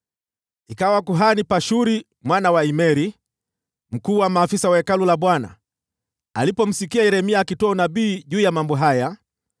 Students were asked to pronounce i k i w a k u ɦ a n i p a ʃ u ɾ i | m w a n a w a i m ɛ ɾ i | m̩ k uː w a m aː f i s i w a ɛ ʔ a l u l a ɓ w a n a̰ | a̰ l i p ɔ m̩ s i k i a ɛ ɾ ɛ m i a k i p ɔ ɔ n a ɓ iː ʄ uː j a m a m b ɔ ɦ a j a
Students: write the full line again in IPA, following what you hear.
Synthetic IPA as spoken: i k a w a k u ɦ a n i p a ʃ u ɾ i | m w a n a w a i m ɛ ɾ i | m̩ k uː w a m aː f i s a w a ɛ k a l u l a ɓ w a n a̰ | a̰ l i p ɔ m̩ s i k i a ɛ ɾ ɛ m i a k i t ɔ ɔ n a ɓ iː ʄ uː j a m a m b ɔ ɦ a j a

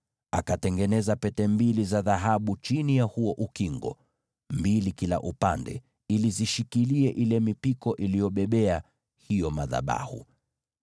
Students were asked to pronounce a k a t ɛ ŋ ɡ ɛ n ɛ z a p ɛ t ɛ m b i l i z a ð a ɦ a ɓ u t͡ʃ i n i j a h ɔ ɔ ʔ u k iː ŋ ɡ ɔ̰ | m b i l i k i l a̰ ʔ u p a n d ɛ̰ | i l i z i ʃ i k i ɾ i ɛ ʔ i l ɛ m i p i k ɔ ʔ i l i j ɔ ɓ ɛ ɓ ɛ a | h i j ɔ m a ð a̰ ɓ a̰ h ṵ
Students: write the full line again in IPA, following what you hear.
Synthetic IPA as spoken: a k a t ɛ ŋ ɡ ɛ n ɛ z a p ɛ t ɛ m b i l i z a ð a ɦ a ɓ u t͡ʃ i n i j a h u ɔ ʔ u k i ŋ ɡ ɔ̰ | m b i l i k i l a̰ ʔ u p a n d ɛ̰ | i l i z i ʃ i k i l i ɛ ʔ i l ɛ m i p i k ɔ ʔ i l i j ɔ ɓ ɛ ɓ ɛ a | h i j ɔ m a ð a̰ ɓ a̰ h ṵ

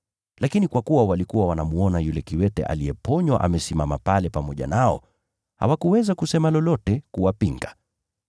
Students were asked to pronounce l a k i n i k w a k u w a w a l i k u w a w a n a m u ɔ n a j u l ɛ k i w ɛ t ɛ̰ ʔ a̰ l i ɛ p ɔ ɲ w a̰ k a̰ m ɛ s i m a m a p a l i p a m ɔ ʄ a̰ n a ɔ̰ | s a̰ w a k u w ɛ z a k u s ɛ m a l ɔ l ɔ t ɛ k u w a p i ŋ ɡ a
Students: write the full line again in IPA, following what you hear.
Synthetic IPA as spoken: l a k i n i k w a k u w a w a l i k u w a w a n a m u ɔ n a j u l ɛ k i w ɛ t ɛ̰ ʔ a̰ l i ɛ p ɔ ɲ w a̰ ʔ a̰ m ɛ s i m a m a p a l ɛ p a m ɔ ʄ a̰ n a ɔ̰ | h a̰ w a k u w ɛ z a k u s ɛ m a l ɔ l ɔ t ɛ k u w a p i ŋ ɡ a

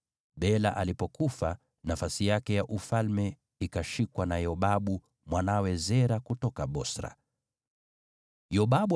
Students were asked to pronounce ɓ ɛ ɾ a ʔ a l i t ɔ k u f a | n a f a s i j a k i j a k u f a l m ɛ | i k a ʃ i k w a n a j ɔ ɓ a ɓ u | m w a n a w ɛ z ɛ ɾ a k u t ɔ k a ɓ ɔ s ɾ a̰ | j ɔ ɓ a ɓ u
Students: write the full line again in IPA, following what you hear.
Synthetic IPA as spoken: ɓ ɛ l a ʔ a l i p ɔ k u f a | n a f a s i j a k ɛ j a ʔ u f a l m ɛ | i k a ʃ i k w a n a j ɔ ɓ a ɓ u | m w a n a w ɛ z ɛ ɾ a k u t ɔ k a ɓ ɔ s ɾ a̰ | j ɔ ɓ a ɓ u

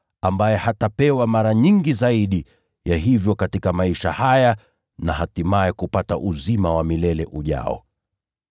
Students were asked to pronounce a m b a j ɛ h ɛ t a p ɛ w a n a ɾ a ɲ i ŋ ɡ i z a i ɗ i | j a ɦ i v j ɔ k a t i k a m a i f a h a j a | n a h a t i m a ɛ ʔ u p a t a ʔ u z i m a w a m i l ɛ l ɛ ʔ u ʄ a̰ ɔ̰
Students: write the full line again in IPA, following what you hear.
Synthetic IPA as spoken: a m b a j ɛ h a t a p ɛ w a m a ɾ a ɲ i ŋ ɡ i z a i ɗ i | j a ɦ i v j ɔ k a t i k a m a i ʃ a h a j a | n a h a t i m a ɛ k u p a t a ʔ u z i m a w a m i l ɛ l ɛ ʔ u ʄ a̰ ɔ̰

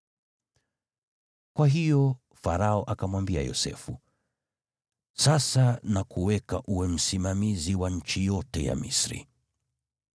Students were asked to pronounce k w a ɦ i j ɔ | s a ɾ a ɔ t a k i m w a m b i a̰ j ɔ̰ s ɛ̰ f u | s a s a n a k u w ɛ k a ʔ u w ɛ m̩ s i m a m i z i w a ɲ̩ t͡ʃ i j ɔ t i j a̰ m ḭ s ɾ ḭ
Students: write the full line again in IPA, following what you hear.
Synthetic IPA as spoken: k w a ɦ i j ɔ | f a ɾ a ɔ ʔ a k a m w a m b i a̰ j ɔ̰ s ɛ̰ f u | s a s a n a k u w ɛ k a ʔ u w ɛ m̩ s i m a m i z i w a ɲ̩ t͡ʃ i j ɔ t ɛ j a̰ m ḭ s ɾ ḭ

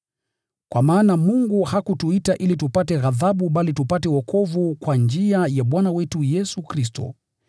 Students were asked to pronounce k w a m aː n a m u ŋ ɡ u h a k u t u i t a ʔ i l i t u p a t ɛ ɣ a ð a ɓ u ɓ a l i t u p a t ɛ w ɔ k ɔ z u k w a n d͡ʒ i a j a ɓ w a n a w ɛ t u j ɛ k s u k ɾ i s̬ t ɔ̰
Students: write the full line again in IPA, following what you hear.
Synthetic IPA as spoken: k w a m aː n a m u ŋ ɡ u h a k u t u i t a ʔ i l i t u p a t ɛ ɣ a ð a ɓ u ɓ a l i t u p a t ɛ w ɔ k ɔ v u k w a n d͡ʒ i a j a ɓ w a n a w ɛ t u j ɛ s u k ɾ i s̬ t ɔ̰

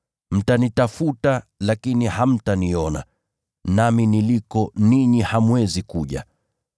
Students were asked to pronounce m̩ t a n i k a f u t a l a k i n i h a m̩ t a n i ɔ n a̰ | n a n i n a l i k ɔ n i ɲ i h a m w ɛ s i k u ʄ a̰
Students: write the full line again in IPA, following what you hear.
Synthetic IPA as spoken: m̩ t a n i t a f u t a l a k i n i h a m̩ t a n i ɔ n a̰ | n a m i n i l i k ɔ n i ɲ i h a m w ɛ z i k u ʄ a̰

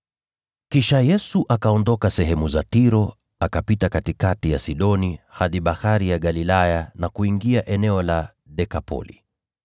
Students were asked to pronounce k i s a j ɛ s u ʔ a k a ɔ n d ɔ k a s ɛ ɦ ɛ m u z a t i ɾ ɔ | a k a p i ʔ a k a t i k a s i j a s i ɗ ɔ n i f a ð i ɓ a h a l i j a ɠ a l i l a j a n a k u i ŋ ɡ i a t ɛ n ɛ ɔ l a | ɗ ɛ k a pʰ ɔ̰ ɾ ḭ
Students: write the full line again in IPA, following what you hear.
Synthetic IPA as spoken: k i ʃ a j ɛ s u ʔ a k a ɔ n d ɔ k a s ɛ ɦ ɛ m u z a t i ɾ ɔ | a k a p i t a k a t i k a t i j a s i ɗ ɔ n i h a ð i ɓ a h a ɾ i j a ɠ a l i l a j a n a k u i ŋ ɡ i a ʔ ɛ n ɛ ɔ l a | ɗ ɛ k a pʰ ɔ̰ l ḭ

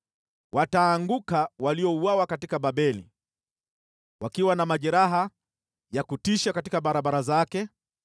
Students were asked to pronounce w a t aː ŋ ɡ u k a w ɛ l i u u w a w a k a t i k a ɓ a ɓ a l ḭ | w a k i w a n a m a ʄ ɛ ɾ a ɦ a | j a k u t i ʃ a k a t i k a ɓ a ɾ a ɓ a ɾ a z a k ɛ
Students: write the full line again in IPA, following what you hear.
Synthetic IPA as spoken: w a t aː ŋ ɡ u k a w a l i ɔ u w a w a k a t i k a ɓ a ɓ ɛ l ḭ | w a k i w a n a m a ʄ ɛ ɾ a ɦ a | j a k u t i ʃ a k a t i k a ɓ a ɾ a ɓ a ɾ a z a k ɛ

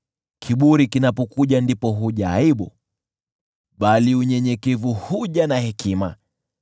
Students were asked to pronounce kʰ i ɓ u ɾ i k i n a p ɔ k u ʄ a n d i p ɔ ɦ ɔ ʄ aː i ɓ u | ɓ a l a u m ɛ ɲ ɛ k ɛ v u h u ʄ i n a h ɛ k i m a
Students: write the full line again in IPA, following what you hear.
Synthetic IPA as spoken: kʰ i ɓ u ɾ i k i n a p ɔ k u ʄ a n d i p ɔ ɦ u ʄ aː i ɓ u | ɓ a l i u ɲ ɛ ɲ ɛ k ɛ v u h u ʄ a n a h ɛ k i m a

